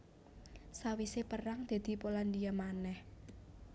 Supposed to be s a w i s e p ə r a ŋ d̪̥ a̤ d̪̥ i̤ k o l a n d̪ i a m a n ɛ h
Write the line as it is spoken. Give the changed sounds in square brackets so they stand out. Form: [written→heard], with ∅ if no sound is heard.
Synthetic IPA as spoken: s a w i s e p ə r a ŋ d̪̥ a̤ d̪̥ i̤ [k→p] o l a n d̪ i a m a n ɛ h